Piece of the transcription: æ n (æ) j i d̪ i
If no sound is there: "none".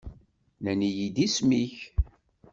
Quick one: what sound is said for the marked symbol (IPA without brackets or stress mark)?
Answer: i